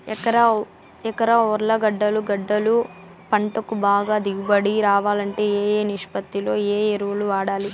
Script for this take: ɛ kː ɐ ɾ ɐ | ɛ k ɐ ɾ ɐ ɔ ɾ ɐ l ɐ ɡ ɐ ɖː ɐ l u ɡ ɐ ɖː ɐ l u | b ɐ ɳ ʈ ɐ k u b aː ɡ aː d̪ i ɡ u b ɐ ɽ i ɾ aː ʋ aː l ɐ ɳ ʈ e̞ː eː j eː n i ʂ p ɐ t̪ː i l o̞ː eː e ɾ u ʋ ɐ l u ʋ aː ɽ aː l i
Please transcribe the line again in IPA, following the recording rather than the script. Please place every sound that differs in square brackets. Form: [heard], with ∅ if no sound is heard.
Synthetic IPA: ɛ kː ɐ ɾ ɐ | ɛ k ɐ ɾ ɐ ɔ ɾ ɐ l ɐ ɡ ɐ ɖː ɐ l u ɡ ɐ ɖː ɐ l u | [p] ɐ ɳ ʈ ɐ k u b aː ɡ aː d̪ i ɡ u b ɐ ɽ i ɾ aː ʋ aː l ɐ ɳ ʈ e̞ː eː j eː n i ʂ p ɐ t̪ː i l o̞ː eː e ɾ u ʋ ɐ l u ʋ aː ɽ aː l i